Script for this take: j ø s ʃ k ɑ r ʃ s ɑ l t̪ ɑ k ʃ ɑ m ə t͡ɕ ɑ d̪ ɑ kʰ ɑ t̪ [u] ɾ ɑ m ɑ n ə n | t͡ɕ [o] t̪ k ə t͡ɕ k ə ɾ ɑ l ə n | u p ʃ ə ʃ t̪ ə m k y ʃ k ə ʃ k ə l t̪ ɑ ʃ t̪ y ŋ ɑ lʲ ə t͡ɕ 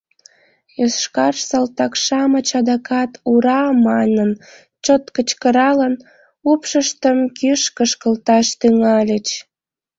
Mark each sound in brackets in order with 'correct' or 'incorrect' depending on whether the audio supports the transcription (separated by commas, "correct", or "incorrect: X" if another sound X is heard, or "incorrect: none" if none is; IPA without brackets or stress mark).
correct, correct